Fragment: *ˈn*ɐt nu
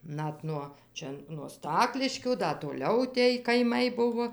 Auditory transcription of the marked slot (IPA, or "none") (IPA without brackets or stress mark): n